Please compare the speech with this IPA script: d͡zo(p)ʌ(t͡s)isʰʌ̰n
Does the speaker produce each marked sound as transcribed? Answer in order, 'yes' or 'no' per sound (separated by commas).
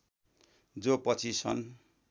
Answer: yes, no